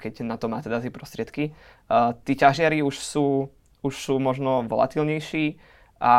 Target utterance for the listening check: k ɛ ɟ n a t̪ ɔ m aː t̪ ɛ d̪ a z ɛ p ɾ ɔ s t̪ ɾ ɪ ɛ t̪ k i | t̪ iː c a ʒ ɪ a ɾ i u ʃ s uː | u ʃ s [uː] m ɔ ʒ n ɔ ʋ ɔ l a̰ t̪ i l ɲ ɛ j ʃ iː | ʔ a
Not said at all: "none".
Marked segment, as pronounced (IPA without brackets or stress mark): uː